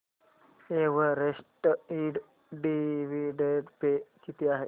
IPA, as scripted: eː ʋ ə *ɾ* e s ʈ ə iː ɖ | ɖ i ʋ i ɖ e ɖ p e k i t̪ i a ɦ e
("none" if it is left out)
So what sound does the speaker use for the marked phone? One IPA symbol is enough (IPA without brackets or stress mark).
ɾ